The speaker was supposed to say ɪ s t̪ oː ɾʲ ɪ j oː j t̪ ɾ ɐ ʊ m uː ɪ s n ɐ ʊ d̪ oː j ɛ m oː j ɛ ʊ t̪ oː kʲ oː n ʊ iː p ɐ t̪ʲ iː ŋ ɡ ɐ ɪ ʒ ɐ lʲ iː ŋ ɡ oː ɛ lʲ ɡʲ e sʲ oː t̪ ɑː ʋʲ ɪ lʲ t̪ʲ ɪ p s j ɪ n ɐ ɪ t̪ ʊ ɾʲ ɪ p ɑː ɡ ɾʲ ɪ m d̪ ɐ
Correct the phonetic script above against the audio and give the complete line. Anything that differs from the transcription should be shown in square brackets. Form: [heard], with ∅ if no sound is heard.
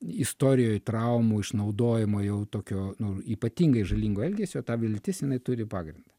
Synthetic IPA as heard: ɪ s t̪ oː ɾʲ ɪ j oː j t̪ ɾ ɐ ʊ m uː ɪ [ʃ] n ɐ ʊ d̪ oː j ɛ m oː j ɛ ʊ t̪ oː kʲ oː n ʊ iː p ɐ t̪ʲ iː ŋ ɡ ɐ ɪ ʒ ɐ lʲ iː ŋ ɡ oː ɛ lʲ ɡʲ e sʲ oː t̪ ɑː ʋʲ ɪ lʲ t̪ʲ ɪ [∅] s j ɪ n ɐ ɪ t̪ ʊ ɾʲ ɪ p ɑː ɡ ɾʲ ɪ [n] d̪ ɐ

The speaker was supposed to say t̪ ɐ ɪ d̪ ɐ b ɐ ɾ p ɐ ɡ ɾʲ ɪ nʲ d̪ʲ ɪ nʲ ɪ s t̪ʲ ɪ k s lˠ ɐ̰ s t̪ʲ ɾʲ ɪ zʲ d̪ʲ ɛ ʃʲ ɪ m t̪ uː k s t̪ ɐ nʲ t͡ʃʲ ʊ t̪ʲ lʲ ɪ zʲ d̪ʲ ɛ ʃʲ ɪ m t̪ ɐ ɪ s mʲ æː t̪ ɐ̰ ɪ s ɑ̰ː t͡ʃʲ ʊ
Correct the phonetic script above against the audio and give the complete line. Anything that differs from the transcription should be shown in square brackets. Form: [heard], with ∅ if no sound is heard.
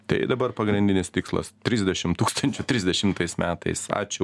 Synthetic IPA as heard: t̪ ɐ ɪ d̪ ɐ b ɐ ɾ p ɐ ɡ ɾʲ ɪ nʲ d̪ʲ ɪ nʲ ɪ s t̪ʲ ɪ k s lˠ ɐ̰ s t̪ʲ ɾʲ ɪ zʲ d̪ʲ ɛ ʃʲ ɪ m t̪ uː k s t̪ ɐ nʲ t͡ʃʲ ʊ t̪ʲ [ɾʲ] ɪ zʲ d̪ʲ ɛ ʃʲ ɪ m t̪ ɐ ɪ s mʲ æː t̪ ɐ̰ ɪ s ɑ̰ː t͡ʃʲ ʊ

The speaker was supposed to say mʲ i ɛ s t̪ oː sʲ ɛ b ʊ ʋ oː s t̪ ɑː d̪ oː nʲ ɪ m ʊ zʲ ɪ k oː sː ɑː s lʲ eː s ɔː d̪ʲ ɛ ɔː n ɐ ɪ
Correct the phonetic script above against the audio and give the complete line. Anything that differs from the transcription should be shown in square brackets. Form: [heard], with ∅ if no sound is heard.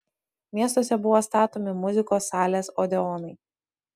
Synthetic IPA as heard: mʲ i ɛ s t̪ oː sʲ ɛ b ʊ ʋ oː s t̪ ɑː [t̪] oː [mʲ] ɪ m ʊ zʲ ɪ k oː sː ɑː [∅] lʲ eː s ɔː d̪ʲ ɛ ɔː n ɐ ɪ

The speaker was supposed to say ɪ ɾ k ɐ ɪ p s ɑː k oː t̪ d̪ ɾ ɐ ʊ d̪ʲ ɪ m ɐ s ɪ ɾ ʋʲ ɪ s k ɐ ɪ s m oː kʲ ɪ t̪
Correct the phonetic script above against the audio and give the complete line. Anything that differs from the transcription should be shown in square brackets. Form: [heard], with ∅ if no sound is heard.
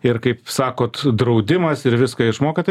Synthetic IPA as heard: ɪ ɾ k ɐ ɪ p s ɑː k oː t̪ d̪ ɾ ɐ ʊ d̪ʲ ɪ m ɐ s ɪ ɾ ʋʲ ɪ s k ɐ ɪ [ʃ] m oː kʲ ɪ t̪

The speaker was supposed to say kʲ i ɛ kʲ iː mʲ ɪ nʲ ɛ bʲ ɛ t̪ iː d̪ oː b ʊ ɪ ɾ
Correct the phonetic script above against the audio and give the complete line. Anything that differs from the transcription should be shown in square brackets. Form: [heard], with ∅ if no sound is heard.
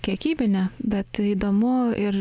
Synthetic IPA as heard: kʲ i ɛ kʲ iː [bʲ] ɪ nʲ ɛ bʲ ɛ t̪ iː d̪ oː [m] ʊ ɪ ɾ

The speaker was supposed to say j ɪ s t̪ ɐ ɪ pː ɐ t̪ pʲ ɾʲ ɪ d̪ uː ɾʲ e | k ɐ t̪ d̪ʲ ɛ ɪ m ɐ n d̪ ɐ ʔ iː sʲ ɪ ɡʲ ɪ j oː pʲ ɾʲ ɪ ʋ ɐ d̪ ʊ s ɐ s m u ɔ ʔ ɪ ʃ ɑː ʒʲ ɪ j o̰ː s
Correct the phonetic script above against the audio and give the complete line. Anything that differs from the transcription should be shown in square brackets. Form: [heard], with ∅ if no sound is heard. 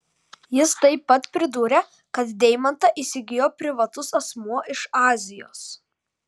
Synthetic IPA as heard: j ɪ s t̪ ɐ ɪ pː ɐ t̪ pʲ ɾʲ ɪ d̪ uː ɾʲ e | k ɐ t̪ d̪ʲ ɛ ɪ m ɐ n [t̪] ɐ ʔ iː sʲ ɪ ɡʲ ɪ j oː pʲ ɾʲ ɪ ʋ ɐ [t̪] ʊ s ɐ s m u ɔ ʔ ɪ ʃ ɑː [zʲ] ɪ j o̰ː s

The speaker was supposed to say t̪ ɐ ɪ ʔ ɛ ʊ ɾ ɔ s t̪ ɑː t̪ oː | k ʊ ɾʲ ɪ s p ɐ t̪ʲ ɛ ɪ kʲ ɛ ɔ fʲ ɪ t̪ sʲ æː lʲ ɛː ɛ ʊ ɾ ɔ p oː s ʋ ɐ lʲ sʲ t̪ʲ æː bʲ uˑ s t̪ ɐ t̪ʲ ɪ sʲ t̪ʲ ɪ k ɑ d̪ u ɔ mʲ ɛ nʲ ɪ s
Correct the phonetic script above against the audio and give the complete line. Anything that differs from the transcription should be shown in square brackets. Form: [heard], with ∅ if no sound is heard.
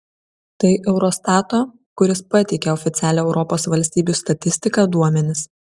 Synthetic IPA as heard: t̪ ɐ ɪ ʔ ɛ ʊ ɾ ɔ s t̪ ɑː t̪ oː | k ʊ ɾʲ ɪ s p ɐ t̪ʲ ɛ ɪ kʲ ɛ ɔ fʲ ɪ t̪ sʲ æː lʲ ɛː ɛ ʊ ɾ ɔ p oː s ʋ ɐ lʲ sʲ t̪ʲ [iː] bʲ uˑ s t̪ ɐ t̪ʲ ɪ sʲ t̪ʲ ɪ k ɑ d̪ u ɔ mʲ ɛ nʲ ɪ s

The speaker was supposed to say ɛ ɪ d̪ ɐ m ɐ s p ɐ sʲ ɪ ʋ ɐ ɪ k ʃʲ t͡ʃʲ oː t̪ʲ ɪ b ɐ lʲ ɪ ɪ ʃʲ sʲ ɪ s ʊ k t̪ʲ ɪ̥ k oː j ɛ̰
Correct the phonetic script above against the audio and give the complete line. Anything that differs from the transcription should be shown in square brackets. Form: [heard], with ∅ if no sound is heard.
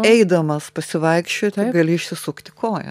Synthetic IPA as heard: ɛ ɪ d̪ ɐ m ɐ s p ɐ sʲ ɪ ʋ ɐ ɪ k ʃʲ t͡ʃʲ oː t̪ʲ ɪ [ɡ] ɐ lʲ ɪ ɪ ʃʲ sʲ ɪ s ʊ k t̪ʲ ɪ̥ k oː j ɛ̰

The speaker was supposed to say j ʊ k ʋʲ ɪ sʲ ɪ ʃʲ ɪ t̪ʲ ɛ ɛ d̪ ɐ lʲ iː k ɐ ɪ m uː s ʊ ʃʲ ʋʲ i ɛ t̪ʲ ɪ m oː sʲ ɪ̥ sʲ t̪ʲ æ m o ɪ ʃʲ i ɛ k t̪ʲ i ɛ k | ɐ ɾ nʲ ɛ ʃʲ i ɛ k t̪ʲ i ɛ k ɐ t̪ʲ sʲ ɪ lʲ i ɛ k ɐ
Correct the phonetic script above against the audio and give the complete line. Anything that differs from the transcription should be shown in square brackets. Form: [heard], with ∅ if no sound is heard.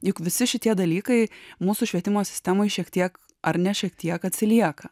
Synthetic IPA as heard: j ʊ k ʋʲ ɪ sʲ ɪ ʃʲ ɪ t̪ʲ [i] ɛ d̪ ɐ lʲ iː k ɐ ɪ m uː s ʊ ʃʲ ʋʲ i ɛ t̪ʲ ɪ m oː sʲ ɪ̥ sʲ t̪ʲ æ m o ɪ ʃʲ i ɛ k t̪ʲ i ɛ k | ɐ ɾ nʲ ɛ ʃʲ i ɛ k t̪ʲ i ɛ k ɐ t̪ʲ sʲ ɪ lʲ i ɛ k ɐ

